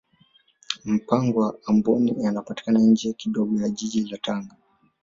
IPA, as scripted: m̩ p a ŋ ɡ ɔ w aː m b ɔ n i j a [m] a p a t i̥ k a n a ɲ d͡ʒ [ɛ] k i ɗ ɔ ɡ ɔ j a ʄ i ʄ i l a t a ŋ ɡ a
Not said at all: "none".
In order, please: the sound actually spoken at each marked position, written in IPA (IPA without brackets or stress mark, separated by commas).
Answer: n, ɛ